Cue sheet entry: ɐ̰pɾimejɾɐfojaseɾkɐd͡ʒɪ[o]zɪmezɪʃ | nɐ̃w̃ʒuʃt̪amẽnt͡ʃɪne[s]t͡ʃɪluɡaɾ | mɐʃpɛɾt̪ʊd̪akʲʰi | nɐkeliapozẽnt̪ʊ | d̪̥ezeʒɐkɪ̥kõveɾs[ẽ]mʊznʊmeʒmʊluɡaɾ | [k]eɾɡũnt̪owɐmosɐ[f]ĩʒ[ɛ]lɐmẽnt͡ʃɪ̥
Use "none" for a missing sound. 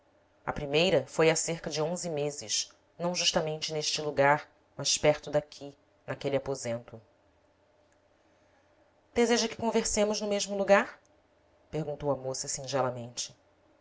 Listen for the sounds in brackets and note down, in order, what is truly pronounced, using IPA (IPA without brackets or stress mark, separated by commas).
õ, ʃ, ẽ, p, s, ɛ